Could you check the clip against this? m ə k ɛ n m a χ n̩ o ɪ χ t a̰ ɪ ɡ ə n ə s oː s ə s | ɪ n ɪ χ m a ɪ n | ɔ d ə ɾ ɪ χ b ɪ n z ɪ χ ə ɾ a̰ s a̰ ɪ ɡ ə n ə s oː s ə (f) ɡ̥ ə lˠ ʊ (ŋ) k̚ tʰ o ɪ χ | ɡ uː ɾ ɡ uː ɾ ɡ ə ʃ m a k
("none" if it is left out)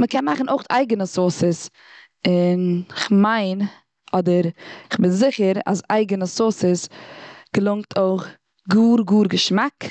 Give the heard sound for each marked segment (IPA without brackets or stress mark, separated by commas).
s, ŋ